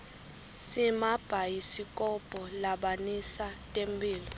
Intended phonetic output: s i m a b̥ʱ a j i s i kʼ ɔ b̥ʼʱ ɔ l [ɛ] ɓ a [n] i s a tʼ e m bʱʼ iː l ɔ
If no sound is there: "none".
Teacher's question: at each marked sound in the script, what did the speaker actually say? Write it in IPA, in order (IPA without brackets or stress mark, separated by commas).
a, n